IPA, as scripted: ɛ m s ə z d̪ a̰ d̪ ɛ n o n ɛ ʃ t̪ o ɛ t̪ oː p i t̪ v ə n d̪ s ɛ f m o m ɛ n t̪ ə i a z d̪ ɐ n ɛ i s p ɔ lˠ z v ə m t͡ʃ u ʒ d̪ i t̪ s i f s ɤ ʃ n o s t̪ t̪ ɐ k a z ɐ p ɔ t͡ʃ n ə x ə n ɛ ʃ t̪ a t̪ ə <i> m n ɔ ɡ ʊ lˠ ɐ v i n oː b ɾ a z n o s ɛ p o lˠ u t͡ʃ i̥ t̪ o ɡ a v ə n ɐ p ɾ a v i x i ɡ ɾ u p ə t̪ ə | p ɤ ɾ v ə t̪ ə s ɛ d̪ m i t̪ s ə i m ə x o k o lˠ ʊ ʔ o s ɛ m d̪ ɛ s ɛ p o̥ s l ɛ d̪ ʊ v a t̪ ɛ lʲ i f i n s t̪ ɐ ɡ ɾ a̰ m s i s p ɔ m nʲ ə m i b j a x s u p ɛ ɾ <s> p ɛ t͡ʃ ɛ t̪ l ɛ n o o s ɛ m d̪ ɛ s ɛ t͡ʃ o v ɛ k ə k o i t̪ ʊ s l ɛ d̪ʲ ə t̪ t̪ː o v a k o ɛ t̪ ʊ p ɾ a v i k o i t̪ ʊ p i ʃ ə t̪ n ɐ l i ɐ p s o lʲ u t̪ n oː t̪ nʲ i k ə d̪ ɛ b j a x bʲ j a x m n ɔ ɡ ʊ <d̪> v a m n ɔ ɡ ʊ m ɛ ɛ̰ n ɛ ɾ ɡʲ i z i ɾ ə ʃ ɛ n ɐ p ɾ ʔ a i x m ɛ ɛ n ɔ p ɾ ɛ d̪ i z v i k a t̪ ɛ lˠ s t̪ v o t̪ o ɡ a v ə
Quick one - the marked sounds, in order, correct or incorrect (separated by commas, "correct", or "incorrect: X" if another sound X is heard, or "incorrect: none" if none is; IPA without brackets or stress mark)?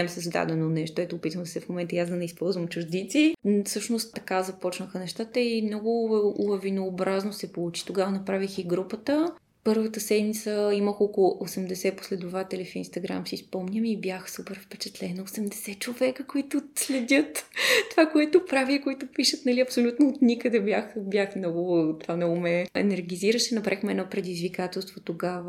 correct, incorrect: f, incorrect: t̪